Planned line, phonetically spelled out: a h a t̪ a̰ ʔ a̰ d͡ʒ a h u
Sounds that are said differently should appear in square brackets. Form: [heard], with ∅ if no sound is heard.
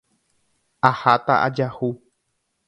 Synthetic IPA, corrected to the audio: a h a t̪ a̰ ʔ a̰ d͡ʒ a h u